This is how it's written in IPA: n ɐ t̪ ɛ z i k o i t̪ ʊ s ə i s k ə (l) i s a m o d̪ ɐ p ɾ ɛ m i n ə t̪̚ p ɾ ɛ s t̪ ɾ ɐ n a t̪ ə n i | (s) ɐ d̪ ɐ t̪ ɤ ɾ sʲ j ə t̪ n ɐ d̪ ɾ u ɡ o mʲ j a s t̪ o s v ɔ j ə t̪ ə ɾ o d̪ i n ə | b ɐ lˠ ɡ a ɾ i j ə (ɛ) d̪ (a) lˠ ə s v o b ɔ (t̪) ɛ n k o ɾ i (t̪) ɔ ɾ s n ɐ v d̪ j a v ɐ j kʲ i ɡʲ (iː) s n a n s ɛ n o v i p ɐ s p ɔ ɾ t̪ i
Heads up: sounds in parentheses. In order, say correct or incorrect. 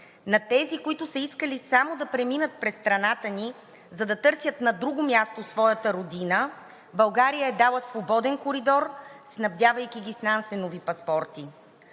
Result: correct, incorrect: z, correct, correct, incorrect: d̪, incorrect: d̪, incorrect: i

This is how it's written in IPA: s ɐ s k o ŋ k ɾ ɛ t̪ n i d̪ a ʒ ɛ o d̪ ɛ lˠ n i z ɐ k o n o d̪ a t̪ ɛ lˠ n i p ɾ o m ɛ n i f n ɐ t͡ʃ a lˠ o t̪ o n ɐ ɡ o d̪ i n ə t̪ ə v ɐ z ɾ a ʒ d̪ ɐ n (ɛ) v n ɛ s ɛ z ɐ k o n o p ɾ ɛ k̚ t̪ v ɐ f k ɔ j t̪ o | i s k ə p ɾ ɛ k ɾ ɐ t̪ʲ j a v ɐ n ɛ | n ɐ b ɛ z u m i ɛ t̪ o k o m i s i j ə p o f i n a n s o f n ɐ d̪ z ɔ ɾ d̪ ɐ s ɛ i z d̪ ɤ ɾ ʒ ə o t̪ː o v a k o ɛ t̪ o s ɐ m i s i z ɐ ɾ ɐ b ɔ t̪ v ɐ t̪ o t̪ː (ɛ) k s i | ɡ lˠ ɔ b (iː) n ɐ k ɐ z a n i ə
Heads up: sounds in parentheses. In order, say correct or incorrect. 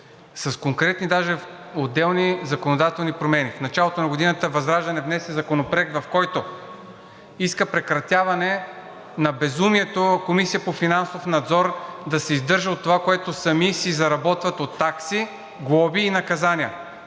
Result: correct, incorrect: a, correct

